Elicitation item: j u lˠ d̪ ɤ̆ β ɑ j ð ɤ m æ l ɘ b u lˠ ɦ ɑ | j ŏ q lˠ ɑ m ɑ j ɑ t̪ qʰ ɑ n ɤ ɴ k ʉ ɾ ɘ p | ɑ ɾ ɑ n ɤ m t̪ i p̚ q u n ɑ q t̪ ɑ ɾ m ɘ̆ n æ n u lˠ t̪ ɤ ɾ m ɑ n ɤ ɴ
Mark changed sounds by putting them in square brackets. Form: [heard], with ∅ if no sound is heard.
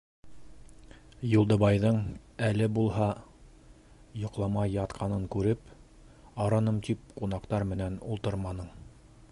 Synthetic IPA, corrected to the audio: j u lˠ d̪ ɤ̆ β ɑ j ð ɤ [ɴ] æ l ɘ b u lˠ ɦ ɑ | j ŏ q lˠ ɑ m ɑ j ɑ t̪ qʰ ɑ n ɤ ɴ k ʉ ɾ ɘ p | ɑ ɾ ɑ n ɤ m t̪ i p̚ q u n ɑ q t̪ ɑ ɾ m ɘ̆ n æ n u lˠ t̪ ɤ ɾ m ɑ n ɤ ɴ